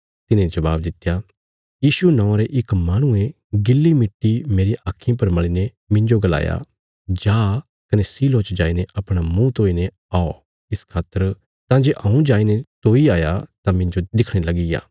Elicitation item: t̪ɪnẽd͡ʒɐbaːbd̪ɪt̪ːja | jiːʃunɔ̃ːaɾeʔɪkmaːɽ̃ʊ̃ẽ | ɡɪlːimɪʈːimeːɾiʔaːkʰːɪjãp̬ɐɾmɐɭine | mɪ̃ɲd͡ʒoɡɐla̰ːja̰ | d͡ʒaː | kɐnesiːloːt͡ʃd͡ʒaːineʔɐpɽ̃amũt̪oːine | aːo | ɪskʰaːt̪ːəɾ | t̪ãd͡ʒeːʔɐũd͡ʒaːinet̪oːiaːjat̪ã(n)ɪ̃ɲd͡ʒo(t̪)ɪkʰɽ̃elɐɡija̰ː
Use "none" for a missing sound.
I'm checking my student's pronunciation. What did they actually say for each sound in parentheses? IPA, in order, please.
m, d̪

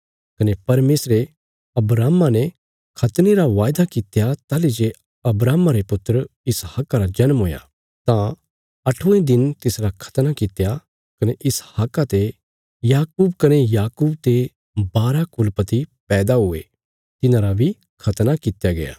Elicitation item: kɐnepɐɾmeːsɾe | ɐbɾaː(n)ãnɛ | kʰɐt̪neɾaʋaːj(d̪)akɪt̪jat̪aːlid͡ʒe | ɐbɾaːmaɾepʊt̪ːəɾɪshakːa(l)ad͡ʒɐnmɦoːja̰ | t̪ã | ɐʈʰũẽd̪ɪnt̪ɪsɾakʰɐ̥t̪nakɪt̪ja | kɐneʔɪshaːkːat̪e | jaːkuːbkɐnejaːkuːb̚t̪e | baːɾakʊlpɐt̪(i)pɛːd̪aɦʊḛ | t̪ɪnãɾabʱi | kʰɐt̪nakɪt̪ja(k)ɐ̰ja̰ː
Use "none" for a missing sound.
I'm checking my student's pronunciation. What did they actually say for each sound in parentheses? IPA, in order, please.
m, d̪, ɾ, i, ɡ

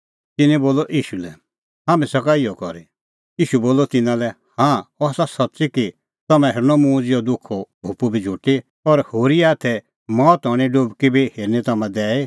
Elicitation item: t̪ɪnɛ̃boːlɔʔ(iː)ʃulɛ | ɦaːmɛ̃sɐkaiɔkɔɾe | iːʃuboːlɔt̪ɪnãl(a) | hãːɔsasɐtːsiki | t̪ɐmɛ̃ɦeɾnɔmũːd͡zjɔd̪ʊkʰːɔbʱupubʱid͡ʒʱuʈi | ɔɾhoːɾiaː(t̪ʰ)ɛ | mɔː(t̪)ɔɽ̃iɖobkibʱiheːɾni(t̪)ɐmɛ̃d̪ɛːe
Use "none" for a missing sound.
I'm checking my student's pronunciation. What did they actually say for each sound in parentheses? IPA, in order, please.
iː, ɛ, t̪ʰ, t̪, t̪

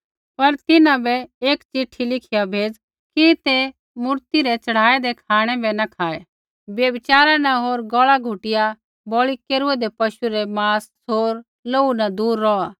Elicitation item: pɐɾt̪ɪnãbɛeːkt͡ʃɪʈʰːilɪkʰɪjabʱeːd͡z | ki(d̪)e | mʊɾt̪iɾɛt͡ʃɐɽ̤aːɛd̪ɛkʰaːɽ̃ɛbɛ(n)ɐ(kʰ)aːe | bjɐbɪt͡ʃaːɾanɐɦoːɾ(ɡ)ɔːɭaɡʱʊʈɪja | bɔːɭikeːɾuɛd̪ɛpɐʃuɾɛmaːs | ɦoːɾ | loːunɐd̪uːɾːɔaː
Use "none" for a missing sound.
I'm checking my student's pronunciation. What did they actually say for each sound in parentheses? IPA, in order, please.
t̪, n, kʰ, ɡ

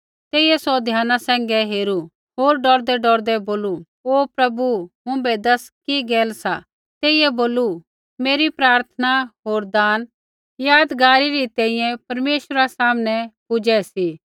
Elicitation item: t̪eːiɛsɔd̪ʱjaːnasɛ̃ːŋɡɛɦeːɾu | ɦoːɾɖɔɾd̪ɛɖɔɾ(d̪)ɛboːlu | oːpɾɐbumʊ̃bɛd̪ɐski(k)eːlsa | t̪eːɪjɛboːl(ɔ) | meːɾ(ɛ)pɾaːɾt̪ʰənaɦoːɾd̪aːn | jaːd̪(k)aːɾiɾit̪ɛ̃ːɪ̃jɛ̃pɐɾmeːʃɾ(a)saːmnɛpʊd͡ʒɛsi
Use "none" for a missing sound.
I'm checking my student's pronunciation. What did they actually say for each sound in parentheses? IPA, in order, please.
d̪, ɡ, u, i, ɡ, a

